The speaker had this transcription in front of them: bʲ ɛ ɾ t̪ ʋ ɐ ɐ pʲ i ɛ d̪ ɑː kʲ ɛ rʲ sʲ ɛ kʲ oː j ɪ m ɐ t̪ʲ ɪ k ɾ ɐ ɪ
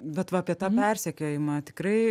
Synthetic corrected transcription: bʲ ɛ t̪ ʋ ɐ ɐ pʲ i ɛ t̪ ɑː pʲ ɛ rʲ sʲ ɛ kʲ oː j ɪ m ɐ t̪ʲ ɪ k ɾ ɐ ɪ